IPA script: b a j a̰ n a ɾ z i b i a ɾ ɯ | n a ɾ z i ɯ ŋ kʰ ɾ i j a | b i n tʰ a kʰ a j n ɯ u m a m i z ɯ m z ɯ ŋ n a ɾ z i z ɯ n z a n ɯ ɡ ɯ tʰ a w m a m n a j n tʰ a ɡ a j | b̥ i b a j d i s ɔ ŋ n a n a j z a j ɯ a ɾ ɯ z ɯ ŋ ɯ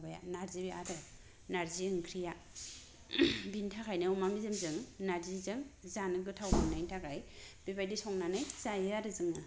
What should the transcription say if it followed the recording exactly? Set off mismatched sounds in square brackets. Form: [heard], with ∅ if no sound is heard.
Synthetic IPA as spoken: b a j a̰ n a ɾ z i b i a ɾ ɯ | n a ɾ z i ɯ ŋ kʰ ɾ i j a | b i n tʰ a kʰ a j n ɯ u m a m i z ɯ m z ɯ ŋ n a ɾ z i z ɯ [ŋ] z a n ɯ ɡ ɯ tʰ a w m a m n a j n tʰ a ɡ a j | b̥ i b a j d i s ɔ ŋ n a n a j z a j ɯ a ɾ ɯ z ɯ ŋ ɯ

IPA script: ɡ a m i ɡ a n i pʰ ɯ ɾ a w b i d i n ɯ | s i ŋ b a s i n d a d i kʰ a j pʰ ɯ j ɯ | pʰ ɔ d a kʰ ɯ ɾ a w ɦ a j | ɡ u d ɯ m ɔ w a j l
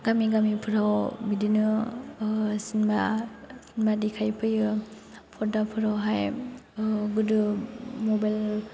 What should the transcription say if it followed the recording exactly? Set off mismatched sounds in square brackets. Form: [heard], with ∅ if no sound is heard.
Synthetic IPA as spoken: ɡ a m i ɡ a [m] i pʰ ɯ ɾ a w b i d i n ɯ | s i [n] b a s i n [b] a d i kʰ a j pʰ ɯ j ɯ | pʰ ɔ d a [pʰ] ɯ ɾ a w ɦ a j | ɡ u d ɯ m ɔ [b] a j l

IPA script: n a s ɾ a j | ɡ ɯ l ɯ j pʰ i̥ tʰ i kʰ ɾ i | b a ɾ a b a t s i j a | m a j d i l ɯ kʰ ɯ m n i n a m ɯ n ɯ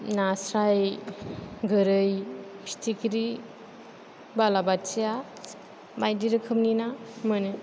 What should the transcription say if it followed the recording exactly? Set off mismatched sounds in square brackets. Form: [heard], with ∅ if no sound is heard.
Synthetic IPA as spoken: n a s ɾ a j | ɡ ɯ [ɾ] ɯ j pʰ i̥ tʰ i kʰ ɾ i | b a [l] a b a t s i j a | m a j d i [ɾ] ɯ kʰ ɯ m n i n a m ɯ n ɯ

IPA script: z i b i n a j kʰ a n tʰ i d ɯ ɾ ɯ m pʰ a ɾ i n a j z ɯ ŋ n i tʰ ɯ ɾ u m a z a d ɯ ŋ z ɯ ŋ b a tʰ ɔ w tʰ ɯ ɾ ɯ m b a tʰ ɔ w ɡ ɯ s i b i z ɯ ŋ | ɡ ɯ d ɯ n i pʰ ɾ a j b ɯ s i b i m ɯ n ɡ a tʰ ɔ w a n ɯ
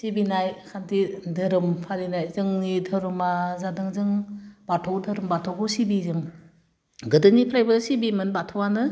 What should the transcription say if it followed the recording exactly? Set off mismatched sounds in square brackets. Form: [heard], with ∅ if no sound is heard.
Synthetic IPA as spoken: [s] i b i n a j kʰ a n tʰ i d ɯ ɾ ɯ m pʰ a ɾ i n a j z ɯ ŋ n i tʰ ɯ ɾ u m a z a d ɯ ŋ z ɯ ŋ b a tʰ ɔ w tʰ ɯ ɾ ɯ m b a tʰ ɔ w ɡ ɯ s i b i z ɯ ŋ | ɡ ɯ d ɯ n i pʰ ɾ a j b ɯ s i b i m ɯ n [b] a tʰ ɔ w a n ɯ

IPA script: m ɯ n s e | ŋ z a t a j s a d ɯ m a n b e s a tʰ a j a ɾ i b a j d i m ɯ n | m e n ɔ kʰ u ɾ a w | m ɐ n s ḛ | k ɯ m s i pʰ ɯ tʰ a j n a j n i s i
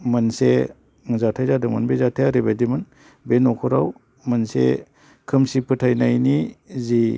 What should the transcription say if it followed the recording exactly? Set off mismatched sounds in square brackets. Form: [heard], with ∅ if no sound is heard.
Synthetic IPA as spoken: m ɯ n s e | ŋ z a [tʰ] a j [z] a d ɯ m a n b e [z] a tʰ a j a ɾ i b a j d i m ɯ n | [b] e n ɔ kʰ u ɾ a w | m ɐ n s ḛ | [kʰ] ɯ m s i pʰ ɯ tʰ a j n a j n i [z] i

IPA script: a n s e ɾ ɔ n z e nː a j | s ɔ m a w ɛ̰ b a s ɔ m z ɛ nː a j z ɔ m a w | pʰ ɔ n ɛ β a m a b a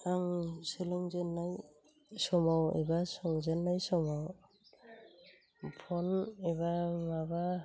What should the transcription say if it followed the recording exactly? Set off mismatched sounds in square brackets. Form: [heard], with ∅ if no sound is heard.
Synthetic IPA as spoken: a [ŋ] s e [l] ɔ [ŋ] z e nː a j | s ɔ m a w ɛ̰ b a s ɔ [ŋ] z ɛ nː a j [s] ɔ m a w | pʰ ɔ n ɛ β a m a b a

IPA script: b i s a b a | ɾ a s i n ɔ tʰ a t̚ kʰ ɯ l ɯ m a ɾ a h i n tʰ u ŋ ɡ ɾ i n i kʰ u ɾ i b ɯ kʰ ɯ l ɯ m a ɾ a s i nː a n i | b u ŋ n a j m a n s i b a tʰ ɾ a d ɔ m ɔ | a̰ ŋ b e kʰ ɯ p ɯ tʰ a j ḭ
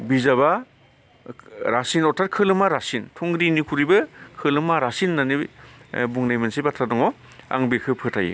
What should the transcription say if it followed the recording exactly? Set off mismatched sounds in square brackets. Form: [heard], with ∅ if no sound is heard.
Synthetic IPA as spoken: b i [z] a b a | ɾ a s i n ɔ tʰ a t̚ kʰ ɯ l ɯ m a ɾ a [s] i n tʰ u ŋ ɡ ɾ i n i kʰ u ɾ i b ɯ kʰ ɯ l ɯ m a ɾ a s i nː a n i | b u ŋ n a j m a n s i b a tʰ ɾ a d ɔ [ŋ] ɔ | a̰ ŋ b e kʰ ɯ [pʰ] ɯ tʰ a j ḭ

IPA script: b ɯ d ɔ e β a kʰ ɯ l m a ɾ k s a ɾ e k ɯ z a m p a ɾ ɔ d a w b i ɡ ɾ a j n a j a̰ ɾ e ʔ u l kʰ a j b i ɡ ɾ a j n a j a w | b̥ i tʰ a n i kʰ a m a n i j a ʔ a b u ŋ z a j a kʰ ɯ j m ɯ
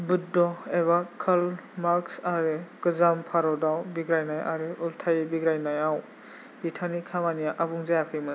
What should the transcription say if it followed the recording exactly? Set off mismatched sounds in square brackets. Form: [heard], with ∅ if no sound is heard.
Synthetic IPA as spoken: b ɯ d ɔ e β a kʰ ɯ l m a ɾ k s a ɾ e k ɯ z a m [pʰ] a ɾ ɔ d a w b i ɡ ɾ a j n a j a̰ ɾ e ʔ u l [tʰ] a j b i ɡ ɾ a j n a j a w | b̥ i tʰ a n i kʰ a m a n i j a ʔ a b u ŋ z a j a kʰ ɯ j m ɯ

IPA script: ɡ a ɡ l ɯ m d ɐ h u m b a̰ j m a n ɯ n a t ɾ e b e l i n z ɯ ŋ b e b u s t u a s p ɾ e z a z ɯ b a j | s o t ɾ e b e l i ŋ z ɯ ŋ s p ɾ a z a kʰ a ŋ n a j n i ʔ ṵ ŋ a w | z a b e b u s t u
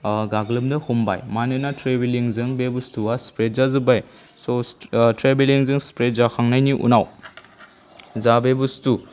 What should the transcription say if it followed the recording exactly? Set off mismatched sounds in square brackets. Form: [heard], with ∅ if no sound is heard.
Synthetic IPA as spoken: ɡ a ɡ l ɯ m d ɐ h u m b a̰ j m a n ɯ n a t ɾ e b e l i [ŋ] z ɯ ŋ b e b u s t u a s p ɾ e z a z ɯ b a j | s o t ɾ e b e l i ŋ z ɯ ŋ s p ɾ [e] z a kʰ a ŋ n a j n i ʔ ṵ [n] a w | z a b e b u s t u

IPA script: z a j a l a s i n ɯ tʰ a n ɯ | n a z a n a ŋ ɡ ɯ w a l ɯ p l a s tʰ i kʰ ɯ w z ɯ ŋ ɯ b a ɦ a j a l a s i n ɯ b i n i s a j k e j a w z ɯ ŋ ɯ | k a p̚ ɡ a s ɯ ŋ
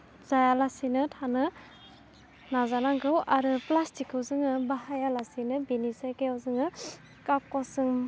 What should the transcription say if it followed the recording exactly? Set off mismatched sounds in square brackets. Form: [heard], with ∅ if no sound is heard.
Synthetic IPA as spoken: z a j a l a s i n ɯ tʰ a n ɯ | n a z a n a ŋ ɡ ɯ w a [ɾ] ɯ p l a s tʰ i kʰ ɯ w z ɯ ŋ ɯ b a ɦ a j a l a s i n ɯ b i n i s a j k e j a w z ɯ ŋ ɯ | k a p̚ [k] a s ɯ ŋ

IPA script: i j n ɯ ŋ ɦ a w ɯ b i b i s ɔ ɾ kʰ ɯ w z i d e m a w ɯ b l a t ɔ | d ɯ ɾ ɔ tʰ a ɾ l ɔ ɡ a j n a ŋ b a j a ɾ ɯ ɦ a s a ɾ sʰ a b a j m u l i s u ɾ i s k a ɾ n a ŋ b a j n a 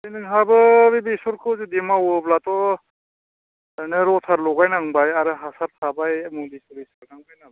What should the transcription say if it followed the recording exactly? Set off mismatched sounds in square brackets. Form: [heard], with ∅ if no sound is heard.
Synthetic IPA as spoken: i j n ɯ ŋ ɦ a [b] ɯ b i b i s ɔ ɾ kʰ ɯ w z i d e m a w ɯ b l a t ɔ | [n] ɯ ɾ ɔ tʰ a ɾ l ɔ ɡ a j n a ŋ b a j a ɾ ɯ ɦ a s a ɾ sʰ a b a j m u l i s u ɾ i s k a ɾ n a ŋ b a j n a

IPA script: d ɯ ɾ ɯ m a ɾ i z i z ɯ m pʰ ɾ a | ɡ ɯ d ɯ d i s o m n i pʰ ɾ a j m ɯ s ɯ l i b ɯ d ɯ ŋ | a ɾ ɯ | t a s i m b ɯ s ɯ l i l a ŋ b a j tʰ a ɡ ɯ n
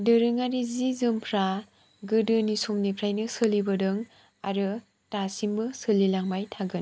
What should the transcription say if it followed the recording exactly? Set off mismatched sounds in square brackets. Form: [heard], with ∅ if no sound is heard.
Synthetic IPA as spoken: d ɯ ɾ ɯ [ŋ] a ɾ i z i z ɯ m pʰ ɾ a | ɡ ɯ d ɯ [n] i s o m n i pʰ ɾ a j [n] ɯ s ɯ l i b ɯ d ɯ ŋ | a ɾ ɯ | t a s i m b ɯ s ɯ l i l a ŋ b a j tʰ a ɡ ɯ n

